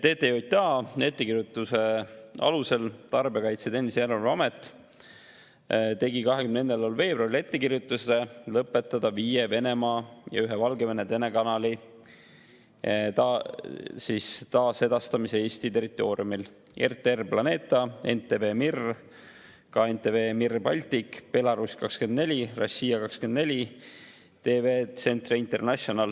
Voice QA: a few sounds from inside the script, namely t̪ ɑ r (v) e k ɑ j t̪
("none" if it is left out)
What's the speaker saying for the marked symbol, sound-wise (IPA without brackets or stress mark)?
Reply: b